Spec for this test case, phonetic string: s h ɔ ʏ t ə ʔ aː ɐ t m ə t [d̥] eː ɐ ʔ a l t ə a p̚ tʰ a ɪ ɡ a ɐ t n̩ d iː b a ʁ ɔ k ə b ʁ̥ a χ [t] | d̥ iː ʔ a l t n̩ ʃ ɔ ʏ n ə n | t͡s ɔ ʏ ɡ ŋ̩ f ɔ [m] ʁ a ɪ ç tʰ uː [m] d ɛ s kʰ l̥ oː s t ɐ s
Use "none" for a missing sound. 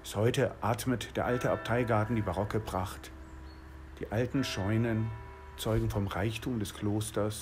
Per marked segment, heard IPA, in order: d̥, t, m, m

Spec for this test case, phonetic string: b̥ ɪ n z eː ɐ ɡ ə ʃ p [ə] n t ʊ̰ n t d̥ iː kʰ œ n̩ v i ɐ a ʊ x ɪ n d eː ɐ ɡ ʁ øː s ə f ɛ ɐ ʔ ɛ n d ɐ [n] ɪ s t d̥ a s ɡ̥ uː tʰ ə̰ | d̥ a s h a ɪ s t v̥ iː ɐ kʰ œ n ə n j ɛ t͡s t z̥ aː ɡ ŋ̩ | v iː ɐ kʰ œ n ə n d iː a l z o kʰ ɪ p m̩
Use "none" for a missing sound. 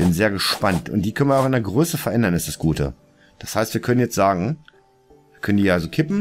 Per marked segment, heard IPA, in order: a, n

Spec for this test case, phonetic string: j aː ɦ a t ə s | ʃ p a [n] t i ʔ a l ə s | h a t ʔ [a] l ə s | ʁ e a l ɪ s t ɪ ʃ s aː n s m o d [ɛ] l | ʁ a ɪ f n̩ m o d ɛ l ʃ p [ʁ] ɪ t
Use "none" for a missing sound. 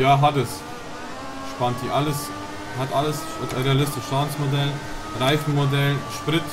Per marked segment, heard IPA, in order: n, a, ɛ, ʁ

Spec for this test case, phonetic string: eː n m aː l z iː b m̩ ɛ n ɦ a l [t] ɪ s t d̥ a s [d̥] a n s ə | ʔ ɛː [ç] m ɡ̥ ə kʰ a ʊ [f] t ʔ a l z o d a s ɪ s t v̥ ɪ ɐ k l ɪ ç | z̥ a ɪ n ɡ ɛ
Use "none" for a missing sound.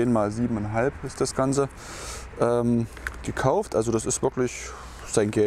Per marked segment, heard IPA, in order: p, ɡ̥, none, f

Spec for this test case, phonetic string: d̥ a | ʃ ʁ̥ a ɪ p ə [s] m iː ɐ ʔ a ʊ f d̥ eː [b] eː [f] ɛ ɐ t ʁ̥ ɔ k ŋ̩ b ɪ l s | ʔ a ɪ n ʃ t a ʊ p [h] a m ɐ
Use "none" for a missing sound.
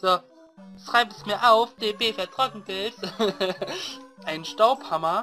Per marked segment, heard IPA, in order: s, b, f, h

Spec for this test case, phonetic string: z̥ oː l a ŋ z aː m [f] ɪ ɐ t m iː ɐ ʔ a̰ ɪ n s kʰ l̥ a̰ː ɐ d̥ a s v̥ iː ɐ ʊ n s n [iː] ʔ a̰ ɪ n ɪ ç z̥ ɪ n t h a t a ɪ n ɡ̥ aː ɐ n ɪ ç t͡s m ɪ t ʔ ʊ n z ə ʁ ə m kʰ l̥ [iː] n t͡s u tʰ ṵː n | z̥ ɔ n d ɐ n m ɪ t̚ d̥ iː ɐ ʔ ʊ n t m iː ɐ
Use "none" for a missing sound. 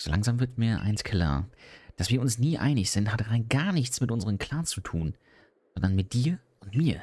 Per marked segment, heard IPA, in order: v, iː, aː

